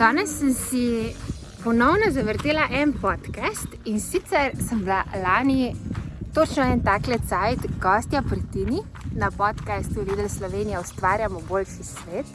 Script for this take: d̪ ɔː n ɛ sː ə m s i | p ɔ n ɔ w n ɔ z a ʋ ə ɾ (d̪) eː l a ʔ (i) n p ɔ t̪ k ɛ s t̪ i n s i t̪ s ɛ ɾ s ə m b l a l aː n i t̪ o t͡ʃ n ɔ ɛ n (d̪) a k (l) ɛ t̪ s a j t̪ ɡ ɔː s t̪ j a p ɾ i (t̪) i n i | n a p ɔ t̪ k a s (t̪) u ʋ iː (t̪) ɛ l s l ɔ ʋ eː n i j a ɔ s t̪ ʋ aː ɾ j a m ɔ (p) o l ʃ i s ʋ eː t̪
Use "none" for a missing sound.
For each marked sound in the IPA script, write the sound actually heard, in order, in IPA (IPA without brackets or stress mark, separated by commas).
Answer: t̪, ɛ, t̪, l, t̪, t̪, d̪, b